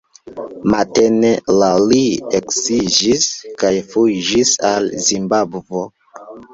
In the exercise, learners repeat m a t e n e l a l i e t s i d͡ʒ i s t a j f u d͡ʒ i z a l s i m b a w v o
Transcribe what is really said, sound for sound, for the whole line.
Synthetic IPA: m a t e n e l a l i e k s i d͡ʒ i s k a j f u d͡ʒ i s a l z i m b a b v o